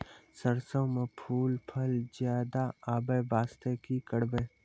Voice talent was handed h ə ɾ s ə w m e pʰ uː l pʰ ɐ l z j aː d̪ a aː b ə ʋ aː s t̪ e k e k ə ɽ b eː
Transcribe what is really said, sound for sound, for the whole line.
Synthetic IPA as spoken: s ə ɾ s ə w m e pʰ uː l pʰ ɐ l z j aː d̪ a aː b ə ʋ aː s t̪ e k i k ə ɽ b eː